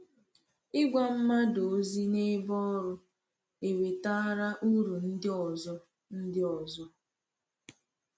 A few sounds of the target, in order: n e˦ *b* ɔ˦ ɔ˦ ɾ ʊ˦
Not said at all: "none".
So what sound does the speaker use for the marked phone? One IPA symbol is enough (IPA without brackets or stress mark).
b